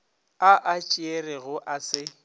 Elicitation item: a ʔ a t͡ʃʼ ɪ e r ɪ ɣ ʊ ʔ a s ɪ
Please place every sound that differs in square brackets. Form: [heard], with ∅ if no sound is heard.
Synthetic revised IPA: a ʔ a t͡ʃʼ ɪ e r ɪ ɣ ʊ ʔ a s ɪ